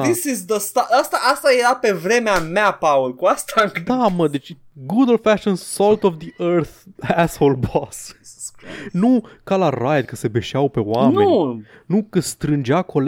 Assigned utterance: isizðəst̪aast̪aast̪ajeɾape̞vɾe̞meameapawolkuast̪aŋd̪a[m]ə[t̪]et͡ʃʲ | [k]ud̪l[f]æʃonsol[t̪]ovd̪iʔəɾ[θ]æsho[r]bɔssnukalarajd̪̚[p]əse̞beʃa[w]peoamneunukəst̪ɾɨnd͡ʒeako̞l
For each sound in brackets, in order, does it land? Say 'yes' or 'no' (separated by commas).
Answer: yes, no, no, yes, yes, yes, no, no, yes